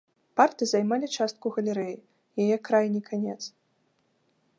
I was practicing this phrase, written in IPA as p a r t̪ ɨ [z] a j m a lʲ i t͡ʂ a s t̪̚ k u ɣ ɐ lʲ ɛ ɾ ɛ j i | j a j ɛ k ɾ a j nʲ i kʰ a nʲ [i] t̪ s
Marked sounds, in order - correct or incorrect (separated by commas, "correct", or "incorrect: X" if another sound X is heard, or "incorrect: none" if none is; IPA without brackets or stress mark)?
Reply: correct, incorrect: ɛ